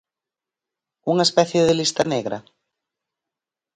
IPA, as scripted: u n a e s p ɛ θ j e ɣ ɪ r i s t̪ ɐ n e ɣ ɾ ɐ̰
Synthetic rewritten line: u ŋ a e s p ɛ θ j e ð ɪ l i s t̪ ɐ n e ɣ ɾ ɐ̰

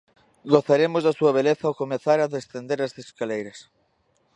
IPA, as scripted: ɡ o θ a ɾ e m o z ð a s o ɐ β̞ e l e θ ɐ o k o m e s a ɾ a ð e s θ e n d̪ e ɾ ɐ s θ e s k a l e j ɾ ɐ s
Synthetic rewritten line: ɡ o θ a ɾ e m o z ð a s u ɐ β̞ e l e θ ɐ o k o m e θ a ɾ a ð e s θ e n d̪ e ɾ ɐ s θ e s k a l e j ɾ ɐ s

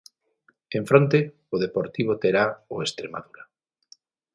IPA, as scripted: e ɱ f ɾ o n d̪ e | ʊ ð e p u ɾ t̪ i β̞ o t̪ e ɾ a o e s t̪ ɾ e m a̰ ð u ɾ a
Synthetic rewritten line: e ɱ f ɾ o n t̪ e | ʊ ð e p o ɾ t̪ i β̞ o t̪ e ɾ a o e s t̪ ɾ e m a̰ ð u ɾ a

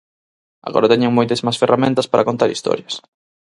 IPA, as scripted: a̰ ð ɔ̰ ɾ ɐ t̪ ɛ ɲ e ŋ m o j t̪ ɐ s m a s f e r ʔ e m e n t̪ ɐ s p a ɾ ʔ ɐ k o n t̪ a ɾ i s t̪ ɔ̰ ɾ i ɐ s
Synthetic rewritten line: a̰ ɣ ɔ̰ ɾ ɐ t̪ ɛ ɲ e ŋ m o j t̪ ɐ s m a s f e r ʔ a m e n t̪ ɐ s p a ɾ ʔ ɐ k o n t̪ a ɾ i s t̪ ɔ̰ ɾ j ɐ s

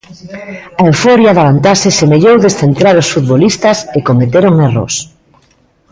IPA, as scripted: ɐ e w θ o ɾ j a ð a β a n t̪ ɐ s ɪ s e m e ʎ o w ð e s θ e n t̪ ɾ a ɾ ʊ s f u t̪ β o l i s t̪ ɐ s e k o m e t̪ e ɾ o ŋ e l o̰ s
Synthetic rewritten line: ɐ e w f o ɾ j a ð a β a n t̪ a s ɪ s e m e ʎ o w ð e s θ e n t̪ ɾ a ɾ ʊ s f u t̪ β o l i s t̪ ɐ s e k o m e t̪ e ɾ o ŋ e r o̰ s

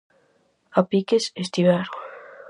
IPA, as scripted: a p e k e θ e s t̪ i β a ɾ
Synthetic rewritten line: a p i k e s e s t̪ i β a ɾ

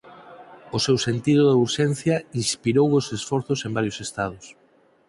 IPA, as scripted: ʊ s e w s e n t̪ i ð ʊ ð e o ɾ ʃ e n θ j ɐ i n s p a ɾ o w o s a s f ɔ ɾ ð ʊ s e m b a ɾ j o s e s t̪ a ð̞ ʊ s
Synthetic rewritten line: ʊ s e w s e n t̪ i ð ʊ ð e u ɾ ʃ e n θ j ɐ i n s p i ɾ o w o s e s f ɔ ɾ θ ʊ s e m b a ɾ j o s e s t̪ a ð̞ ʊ s

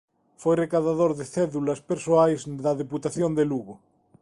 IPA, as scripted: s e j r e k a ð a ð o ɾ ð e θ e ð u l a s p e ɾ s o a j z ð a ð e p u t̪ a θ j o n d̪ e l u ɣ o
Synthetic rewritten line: f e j r e k a ð a ð o ɾ ð e θ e ð u l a s p e ɾ s o a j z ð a ð e p u t̪ a θ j o n d̪ e l u ɣ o

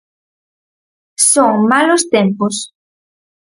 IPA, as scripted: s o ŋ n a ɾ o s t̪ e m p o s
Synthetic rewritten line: s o ŋ m a l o s t̪ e m p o s

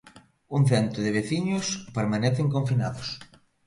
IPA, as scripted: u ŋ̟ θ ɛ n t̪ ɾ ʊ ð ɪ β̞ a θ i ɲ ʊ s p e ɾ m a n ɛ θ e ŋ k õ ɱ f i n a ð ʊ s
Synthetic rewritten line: u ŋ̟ θ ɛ n t̪ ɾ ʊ ð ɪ β̞ e θ i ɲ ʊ s p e ɾ m a n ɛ θ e ŋ k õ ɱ f i n a ð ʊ s

